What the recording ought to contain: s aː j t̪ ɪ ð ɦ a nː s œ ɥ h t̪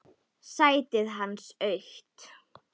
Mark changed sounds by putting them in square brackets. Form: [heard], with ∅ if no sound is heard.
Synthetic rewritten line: s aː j t̪ ɪ ð ɦ a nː s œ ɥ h t̪